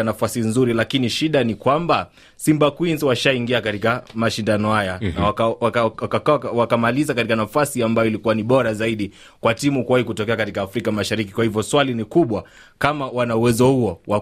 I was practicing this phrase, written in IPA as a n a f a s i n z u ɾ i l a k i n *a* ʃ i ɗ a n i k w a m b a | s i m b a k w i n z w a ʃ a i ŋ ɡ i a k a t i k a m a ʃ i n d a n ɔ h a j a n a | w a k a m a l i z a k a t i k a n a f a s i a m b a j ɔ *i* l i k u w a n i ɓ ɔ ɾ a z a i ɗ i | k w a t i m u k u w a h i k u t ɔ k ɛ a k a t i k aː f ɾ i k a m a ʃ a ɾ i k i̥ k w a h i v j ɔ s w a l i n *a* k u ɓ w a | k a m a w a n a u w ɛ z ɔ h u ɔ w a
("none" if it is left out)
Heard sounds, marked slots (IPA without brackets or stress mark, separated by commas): i, i, i